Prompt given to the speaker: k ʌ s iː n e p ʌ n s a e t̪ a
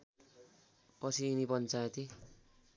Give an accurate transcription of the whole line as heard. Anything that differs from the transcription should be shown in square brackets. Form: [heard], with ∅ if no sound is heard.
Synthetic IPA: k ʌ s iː n [i] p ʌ n [t͡s] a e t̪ [i]